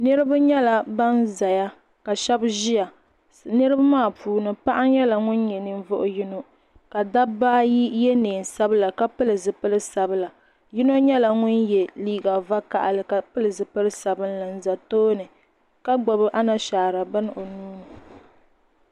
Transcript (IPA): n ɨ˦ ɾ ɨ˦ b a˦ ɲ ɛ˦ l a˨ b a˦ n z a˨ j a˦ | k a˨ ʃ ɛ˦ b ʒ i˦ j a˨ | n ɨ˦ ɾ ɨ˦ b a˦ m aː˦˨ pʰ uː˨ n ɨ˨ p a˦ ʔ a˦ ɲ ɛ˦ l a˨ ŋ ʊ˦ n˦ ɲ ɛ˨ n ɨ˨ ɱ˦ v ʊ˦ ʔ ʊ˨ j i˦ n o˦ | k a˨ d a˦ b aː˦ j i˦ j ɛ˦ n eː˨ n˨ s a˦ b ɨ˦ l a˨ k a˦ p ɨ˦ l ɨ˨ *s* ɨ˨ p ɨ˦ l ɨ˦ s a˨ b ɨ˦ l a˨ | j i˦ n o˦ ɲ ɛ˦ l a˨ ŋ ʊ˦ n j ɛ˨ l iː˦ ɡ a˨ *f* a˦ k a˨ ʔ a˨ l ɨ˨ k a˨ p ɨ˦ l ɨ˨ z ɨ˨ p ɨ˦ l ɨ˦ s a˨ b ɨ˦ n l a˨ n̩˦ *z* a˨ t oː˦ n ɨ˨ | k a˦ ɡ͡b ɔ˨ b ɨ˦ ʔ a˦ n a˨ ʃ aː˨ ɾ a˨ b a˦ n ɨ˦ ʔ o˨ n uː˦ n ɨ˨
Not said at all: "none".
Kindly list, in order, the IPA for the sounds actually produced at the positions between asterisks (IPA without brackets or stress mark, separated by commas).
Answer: z, v, z